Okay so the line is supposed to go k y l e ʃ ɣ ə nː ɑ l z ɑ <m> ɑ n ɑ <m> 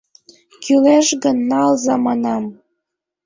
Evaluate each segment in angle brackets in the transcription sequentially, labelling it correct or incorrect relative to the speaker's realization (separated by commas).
correct, correct